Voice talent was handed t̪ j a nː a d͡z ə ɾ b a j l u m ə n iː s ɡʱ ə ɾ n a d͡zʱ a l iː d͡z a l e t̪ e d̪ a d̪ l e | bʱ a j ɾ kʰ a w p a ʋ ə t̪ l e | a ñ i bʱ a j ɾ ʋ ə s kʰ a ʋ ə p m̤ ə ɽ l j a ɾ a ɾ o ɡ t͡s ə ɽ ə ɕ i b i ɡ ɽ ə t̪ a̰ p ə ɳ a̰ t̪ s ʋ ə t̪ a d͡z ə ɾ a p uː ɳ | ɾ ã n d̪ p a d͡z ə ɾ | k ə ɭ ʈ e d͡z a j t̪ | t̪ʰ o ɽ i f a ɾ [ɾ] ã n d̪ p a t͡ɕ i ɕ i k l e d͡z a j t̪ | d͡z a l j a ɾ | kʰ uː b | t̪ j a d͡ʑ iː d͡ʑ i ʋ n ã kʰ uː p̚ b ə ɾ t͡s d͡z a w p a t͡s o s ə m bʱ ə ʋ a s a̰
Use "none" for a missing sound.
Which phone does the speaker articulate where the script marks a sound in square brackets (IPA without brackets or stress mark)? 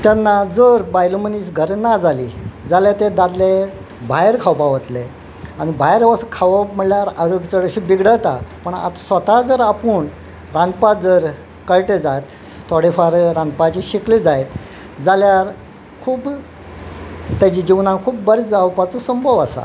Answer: ɾ